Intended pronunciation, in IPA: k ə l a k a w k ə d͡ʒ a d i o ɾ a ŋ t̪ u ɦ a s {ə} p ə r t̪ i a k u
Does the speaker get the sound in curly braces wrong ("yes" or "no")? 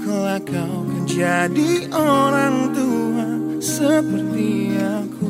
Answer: no